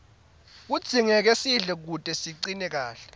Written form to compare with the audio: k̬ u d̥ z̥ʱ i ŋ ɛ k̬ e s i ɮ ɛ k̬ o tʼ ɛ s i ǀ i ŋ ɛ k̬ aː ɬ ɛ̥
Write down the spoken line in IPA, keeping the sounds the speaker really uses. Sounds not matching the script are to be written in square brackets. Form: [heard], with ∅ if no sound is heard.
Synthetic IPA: k̬ u d̥ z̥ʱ i ŋ ɛ k̬ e s i ɮ ɛ k̬ [u] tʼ ɛ s i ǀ i [n] ɛ k̬ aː ɬ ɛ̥